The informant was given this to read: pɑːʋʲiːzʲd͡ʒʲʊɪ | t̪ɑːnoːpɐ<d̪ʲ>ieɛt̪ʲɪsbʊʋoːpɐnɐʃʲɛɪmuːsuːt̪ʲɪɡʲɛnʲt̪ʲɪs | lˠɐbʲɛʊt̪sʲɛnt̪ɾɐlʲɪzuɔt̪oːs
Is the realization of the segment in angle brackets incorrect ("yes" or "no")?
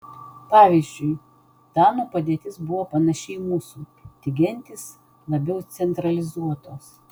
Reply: no